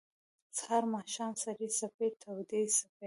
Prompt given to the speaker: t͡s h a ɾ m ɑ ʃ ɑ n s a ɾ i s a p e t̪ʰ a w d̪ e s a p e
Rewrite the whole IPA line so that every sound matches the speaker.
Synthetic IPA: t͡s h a ɾ m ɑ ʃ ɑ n s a ɾ i s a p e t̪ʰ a w d̪ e s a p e